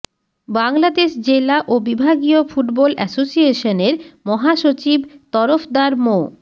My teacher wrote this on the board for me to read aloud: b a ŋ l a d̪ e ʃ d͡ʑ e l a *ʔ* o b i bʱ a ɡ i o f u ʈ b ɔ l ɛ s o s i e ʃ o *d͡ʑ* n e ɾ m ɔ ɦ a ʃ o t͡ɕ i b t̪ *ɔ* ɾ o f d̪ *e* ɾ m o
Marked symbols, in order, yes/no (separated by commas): yes, no, yes, no